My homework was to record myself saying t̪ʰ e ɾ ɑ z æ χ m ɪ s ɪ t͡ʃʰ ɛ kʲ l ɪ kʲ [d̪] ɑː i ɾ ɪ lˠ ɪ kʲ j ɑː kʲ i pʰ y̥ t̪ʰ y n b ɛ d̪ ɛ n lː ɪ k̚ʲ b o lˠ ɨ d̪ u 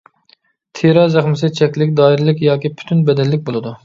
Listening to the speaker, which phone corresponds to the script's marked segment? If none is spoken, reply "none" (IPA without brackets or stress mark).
d̪